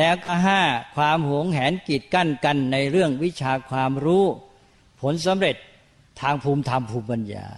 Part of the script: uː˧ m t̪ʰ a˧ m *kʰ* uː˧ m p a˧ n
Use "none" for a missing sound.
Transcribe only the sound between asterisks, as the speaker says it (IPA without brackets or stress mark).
pʰ